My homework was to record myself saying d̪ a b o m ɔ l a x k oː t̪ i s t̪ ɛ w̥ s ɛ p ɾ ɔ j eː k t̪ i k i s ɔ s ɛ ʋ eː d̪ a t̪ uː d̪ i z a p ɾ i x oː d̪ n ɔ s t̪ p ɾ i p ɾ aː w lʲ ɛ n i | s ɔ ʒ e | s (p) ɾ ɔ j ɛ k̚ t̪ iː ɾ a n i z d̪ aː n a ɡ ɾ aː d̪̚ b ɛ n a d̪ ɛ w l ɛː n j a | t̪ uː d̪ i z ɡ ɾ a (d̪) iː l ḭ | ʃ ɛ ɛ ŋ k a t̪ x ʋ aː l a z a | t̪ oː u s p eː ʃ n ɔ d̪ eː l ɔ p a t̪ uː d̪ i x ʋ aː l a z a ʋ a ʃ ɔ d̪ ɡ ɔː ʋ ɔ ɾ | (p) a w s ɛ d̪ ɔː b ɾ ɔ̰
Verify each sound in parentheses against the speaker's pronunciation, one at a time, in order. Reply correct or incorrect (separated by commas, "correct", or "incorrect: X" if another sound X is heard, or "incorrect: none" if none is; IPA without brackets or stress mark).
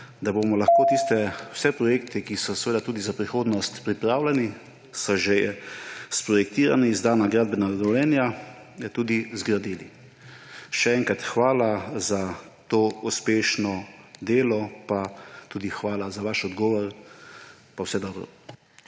correct, correct, correct